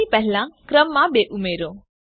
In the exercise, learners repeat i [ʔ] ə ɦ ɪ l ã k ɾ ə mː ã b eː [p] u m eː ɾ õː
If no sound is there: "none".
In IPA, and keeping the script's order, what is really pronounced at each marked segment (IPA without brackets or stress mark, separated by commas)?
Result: p, ʔ